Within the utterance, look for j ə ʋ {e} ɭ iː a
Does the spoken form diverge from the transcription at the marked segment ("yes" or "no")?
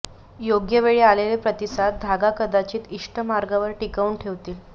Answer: no